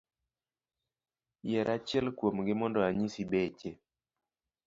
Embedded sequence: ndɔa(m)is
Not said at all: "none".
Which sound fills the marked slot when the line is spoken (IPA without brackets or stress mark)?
ɲ